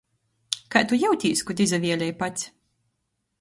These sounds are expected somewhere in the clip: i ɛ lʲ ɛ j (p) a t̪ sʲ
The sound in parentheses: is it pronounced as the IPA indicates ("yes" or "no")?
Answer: yes